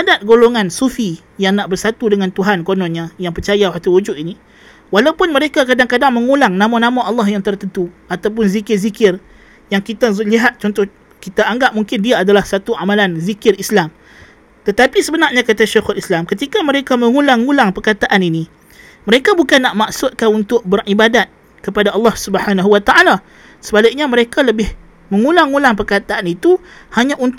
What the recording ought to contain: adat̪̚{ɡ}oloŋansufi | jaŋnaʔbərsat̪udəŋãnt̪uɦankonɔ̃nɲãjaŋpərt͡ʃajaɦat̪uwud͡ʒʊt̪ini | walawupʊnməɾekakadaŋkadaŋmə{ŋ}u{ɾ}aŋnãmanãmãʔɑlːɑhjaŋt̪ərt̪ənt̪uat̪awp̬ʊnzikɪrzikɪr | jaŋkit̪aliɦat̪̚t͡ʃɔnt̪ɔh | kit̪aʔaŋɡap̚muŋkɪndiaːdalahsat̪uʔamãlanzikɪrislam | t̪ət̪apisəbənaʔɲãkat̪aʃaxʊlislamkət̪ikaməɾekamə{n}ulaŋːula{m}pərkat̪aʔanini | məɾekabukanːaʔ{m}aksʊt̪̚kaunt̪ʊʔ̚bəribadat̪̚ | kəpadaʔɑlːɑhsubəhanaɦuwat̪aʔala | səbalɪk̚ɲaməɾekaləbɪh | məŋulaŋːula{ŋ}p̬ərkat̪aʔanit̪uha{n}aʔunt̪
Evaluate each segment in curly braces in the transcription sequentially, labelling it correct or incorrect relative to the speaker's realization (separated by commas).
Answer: correct, correct, incorrect, incorrect, incorrect, correct, correct, incorrect